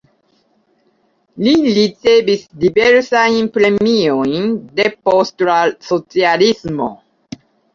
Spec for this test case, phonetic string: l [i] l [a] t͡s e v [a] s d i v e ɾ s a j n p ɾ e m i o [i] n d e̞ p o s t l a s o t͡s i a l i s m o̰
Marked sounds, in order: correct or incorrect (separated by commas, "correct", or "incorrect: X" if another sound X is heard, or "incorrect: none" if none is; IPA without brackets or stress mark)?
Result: correct, incorrect: i, incorrect: i, incorrect: j